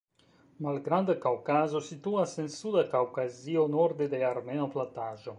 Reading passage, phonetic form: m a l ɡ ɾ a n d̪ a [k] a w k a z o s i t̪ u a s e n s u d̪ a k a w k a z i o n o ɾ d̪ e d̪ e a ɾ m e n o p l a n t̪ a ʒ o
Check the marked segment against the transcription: correct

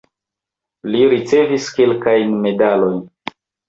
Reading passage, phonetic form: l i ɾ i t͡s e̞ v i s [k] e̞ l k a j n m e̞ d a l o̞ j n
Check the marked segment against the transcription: correct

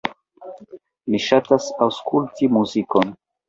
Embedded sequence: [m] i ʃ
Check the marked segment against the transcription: correct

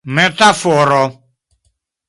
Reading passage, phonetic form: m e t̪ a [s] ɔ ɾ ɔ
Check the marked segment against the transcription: incorrect: f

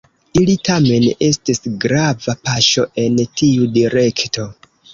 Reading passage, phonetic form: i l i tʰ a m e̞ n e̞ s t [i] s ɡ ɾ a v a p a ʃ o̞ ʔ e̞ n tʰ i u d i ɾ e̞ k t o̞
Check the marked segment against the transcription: correct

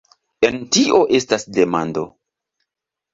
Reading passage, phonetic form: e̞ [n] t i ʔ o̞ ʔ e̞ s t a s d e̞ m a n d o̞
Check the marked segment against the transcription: correct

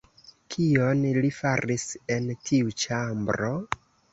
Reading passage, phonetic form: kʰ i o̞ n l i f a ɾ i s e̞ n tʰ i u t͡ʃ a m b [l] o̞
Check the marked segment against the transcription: incorrect: ɾ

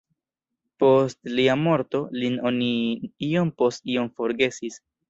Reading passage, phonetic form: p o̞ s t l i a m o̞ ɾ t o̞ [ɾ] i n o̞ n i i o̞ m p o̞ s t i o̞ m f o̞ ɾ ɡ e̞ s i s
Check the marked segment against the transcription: incorrect: l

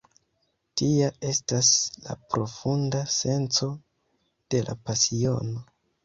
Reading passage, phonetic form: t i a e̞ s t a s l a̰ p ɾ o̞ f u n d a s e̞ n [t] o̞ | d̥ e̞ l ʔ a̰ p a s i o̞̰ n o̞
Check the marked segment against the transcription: incorrect: t͡s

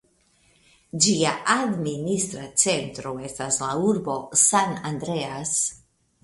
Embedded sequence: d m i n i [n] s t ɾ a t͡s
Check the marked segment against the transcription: incorrect: none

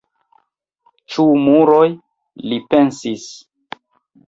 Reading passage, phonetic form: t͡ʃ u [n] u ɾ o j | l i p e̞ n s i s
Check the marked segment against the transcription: incorrect: m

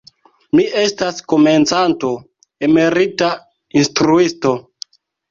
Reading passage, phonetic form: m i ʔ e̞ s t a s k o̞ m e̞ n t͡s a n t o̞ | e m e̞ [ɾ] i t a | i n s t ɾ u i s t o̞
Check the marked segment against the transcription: correct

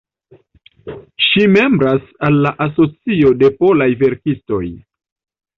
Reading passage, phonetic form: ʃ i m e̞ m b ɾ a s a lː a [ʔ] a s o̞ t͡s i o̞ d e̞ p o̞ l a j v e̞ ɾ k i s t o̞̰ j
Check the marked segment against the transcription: correct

